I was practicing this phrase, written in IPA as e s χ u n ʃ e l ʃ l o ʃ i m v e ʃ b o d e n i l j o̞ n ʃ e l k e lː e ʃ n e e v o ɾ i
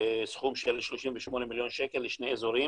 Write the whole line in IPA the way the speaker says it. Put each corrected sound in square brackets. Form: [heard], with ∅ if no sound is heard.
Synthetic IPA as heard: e s χ u [m] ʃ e l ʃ l o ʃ i m v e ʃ [m] o [n] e [m] i l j o̞ n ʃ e [∅] k e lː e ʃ n e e [z] o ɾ i